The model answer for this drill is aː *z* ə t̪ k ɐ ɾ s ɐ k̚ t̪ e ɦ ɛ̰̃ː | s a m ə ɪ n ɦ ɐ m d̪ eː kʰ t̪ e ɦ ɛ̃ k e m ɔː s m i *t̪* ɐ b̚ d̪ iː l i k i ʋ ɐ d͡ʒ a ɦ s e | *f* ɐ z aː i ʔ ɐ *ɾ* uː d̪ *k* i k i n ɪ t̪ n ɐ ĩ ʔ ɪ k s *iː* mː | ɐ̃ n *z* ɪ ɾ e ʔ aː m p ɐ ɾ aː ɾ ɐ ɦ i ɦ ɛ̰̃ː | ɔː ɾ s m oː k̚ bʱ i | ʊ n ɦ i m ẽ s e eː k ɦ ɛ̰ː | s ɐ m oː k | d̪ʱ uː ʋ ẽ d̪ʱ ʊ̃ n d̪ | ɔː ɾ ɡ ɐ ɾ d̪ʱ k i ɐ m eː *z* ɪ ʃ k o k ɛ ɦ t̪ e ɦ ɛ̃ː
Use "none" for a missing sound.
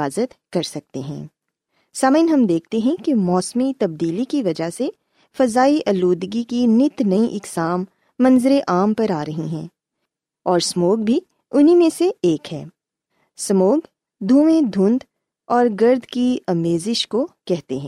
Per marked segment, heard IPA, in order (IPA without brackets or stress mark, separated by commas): z, t̪, f, l, ɡ, aː, z, z